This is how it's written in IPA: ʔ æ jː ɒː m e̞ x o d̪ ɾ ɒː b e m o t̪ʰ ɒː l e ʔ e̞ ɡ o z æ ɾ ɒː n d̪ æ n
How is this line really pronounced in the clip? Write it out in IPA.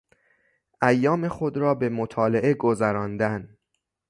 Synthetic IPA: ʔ æ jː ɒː m e̞ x o d̪ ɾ ɒː b e m o t̪ʰ ɒː l e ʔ e̞ ɡ o z æ ɾ ɒː n d̪ æ n